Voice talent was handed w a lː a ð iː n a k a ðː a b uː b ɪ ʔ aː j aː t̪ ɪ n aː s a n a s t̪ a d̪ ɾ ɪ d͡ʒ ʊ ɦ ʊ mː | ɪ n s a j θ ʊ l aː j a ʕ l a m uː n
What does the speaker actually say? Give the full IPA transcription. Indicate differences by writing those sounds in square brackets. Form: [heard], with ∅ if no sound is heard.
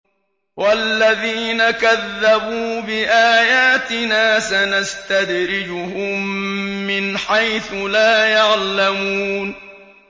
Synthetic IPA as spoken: w a lː a ð iː n a k a ðː a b uː b ɪ ʔ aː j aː t̪ ɪ n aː s a n a s t̪ a d̪ ɾ ɪ d͡ʒ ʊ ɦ ʊ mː | ɪ n [ħ] a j θ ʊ l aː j a ʕ l a m uː n